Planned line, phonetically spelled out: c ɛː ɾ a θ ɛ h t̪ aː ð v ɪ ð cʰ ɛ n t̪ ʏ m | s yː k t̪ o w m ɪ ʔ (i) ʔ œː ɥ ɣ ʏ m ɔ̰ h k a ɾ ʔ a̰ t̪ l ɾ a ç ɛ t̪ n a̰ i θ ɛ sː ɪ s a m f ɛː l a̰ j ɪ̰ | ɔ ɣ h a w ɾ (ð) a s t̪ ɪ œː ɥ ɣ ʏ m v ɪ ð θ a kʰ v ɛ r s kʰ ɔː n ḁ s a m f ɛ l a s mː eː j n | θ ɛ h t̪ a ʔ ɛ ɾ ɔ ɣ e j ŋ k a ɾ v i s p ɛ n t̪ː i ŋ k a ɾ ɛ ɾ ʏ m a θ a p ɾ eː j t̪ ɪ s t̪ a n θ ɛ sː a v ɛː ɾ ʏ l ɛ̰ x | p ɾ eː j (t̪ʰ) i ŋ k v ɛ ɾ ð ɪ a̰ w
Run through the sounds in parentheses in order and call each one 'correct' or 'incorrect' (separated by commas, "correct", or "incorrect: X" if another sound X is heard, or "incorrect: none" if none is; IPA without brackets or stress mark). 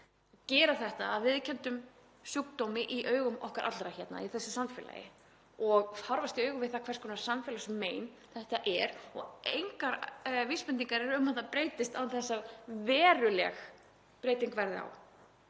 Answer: correct, incorrect: v, incorrect: t̪